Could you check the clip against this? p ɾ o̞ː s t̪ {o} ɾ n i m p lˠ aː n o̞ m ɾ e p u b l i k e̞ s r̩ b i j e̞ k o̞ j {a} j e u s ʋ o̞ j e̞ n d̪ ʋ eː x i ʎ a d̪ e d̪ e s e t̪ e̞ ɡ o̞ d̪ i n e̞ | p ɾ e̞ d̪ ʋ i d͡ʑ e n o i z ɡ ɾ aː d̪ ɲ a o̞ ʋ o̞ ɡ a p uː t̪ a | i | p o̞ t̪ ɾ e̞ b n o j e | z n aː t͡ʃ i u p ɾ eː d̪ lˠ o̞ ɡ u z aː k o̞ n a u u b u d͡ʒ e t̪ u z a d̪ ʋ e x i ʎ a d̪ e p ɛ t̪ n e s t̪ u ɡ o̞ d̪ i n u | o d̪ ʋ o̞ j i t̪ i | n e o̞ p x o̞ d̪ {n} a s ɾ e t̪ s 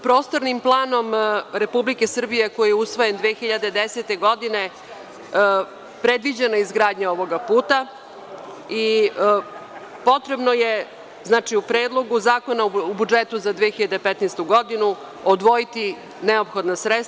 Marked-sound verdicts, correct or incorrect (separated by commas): correct, incorrect, correct